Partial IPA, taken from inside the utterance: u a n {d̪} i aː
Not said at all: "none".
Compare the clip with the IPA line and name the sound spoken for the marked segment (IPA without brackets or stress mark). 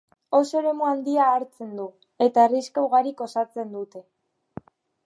d̪